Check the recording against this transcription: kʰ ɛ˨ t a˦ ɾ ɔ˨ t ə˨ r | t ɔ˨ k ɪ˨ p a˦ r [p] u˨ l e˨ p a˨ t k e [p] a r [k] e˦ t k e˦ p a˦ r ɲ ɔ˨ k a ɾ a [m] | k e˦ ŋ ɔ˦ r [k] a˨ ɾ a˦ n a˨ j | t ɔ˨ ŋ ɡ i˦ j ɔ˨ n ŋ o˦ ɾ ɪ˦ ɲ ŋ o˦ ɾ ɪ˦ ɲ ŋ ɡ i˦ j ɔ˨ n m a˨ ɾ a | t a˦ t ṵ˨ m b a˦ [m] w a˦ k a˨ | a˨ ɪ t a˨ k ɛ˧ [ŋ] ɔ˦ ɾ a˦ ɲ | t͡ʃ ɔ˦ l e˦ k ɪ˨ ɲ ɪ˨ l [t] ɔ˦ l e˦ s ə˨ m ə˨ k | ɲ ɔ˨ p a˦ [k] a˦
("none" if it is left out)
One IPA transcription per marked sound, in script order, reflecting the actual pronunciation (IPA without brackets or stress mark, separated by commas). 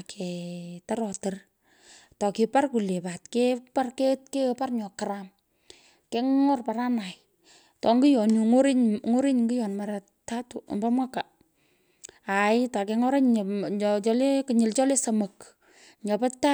k, p, k, m, p, m, ŋ, t͡ʃ, t